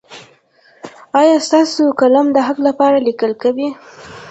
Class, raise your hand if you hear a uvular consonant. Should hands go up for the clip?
no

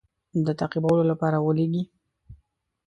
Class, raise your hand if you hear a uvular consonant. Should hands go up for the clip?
yes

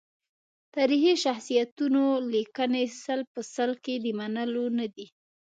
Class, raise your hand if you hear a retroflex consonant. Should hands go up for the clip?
no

